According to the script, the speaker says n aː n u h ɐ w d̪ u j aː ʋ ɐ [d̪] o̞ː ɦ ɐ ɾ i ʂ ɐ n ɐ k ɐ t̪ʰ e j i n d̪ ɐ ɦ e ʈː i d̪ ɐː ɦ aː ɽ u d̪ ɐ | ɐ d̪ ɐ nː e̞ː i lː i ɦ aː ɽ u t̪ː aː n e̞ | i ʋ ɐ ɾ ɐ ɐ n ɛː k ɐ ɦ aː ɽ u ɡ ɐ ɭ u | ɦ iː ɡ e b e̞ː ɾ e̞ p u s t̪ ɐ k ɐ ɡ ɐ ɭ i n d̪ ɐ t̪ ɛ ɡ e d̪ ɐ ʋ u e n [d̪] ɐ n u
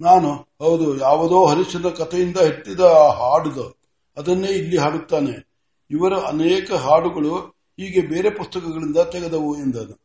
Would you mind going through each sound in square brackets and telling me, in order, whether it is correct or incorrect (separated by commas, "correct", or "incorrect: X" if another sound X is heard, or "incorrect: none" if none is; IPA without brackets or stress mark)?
correct, correct